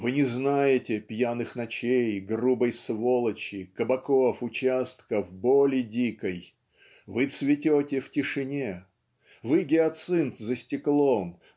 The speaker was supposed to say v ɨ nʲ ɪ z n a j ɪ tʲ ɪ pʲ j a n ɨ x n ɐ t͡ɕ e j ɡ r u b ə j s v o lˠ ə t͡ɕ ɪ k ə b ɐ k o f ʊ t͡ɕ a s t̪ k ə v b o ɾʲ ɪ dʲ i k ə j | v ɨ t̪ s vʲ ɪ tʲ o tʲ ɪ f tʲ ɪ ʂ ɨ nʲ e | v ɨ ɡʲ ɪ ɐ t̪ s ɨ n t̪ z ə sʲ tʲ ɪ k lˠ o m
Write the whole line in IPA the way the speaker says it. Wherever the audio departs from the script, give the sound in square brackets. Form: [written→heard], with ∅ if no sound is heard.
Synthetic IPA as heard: v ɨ nʲ ɪ z n a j ɪ tʲ ɪ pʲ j a n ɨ x n ɐ t͡ɕ e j ɡ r u b ə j s v o lˠ ə t͡ɕ ɪ k ə b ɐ k o f ʊ t͡ɕ a s t̪ k ə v b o [ɾʲ→lʲ] ɪ dʲ i k ə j | v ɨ t̪ s vʲ ɪ tʲ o tʲ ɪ f tʲ ɪ ʂ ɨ nʲ e | v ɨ ɡʲ ɪ ɐ t̪ s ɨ n t̪ z ə sʲ tʲ ɪ k lˠ o m